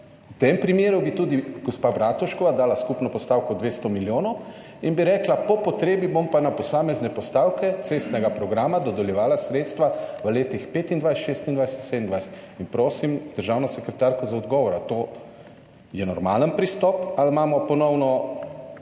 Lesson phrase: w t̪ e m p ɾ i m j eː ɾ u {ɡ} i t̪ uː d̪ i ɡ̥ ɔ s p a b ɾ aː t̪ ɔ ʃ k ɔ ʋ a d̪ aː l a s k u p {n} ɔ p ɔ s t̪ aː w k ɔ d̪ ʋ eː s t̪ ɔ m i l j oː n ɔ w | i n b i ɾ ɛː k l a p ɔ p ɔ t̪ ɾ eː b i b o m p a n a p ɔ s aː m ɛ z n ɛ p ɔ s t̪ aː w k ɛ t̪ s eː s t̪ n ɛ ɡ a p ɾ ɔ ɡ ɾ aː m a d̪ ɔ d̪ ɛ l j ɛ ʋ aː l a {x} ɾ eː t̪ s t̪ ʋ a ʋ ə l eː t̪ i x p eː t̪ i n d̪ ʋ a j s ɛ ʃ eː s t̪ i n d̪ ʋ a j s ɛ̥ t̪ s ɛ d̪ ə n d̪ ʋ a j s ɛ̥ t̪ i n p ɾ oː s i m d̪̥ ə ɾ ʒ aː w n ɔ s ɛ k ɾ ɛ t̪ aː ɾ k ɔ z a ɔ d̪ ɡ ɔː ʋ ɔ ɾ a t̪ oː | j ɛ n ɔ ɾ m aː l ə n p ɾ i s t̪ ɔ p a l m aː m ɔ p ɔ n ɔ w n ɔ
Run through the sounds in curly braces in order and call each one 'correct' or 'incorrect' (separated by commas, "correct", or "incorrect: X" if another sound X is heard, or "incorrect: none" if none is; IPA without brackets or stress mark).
incorrect: b, correct, incorrect: s